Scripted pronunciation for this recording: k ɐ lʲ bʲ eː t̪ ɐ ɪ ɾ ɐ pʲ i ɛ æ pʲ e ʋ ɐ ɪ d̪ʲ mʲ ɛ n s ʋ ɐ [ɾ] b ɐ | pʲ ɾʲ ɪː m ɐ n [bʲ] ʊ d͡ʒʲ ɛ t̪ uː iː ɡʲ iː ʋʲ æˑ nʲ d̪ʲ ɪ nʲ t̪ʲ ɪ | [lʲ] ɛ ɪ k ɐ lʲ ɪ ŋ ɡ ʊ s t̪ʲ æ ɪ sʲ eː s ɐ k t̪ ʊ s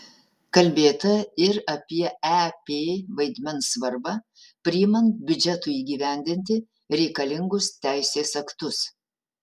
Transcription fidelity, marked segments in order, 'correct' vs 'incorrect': correct, correct, incorrect: ɾʲ

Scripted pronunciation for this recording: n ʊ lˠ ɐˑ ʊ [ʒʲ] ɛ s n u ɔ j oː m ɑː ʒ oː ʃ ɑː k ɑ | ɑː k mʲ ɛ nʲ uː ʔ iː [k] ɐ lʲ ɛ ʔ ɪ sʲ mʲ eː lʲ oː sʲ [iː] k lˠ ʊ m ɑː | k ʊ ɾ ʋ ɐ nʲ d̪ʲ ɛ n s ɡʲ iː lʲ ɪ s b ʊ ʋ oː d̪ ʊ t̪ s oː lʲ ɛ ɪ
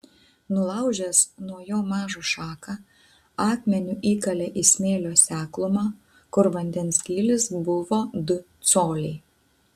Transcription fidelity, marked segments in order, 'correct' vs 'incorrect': correct, correct, incorrect: æː

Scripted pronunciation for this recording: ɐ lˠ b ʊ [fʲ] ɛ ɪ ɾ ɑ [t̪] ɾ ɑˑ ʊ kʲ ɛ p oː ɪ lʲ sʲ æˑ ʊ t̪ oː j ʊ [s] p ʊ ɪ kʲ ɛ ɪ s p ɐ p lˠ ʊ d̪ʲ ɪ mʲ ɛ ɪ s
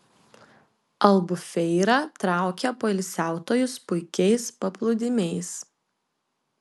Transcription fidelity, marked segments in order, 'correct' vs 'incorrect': correct, correct, correct

